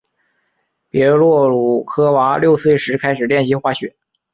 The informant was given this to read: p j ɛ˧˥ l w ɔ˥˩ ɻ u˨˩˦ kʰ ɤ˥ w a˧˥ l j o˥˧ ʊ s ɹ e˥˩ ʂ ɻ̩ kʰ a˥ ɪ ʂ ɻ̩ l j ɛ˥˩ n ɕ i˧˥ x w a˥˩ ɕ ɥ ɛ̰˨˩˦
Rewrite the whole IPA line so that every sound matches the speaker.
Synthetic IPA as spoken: p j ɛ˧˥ l w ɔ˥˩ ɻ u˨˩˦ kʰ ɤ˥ w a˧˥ l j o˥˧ ʊ s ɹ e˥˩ ʂ ɻ̩ kʰ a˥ ɪ ʂ ɻ̩ l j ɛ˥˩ n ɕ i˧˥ x w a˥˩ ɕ ɥ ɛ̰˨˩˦